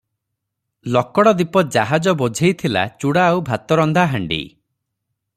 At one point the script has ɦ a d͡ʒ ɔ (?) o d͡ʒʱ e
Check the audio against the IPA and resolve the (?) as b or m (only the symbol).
b